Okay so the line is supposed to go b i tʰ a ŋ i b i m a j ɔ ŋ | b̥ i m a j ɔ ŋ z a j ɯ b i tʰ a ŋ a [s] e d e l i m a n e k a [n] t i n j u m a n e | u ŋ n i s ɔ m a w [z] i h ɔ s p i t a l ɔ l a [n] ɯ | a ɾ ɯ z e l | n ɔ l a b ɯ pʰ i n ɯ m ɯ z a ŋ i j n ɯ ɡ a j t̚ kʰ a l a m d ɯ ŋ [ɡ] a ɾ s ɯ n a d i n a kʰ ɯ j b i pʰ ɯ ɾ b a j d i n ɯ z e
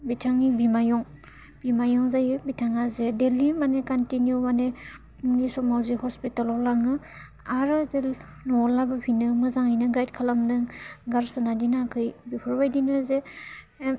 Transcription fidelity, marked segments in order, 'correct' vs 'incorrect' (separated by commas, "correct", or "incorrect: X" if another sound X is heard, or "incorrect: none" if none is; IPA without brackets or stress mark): incorrect: z, correct, correct, incorrect: ŋ, correct